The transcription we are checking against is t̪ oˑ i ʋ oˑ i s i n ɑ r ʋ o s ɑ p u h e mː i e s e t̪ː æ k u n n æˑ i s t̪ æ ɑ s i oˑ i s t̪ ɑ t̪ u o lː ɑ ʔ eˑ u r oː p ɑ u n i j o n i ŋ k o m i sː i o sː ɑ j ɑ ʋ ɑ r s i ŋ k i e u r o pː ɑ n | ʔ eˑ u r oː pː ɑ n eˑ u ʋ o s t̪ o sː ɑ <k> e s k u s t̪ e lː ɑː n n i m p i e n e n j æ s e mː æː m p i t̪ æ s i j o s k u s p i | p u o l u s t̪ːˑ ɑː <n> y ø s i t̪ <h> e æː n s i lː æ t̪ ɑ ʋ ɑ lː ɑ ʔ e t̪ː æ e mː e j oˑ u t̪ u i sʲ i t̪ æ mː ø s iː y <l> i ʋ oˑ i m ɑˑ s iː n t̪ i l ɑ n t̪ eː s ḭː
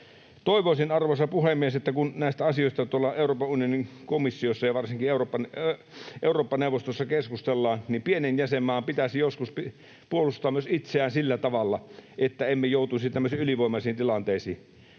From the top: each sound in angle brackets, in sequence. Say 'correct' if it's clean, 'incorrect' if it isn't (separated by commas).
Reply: correct, incorrect, incorrect, correct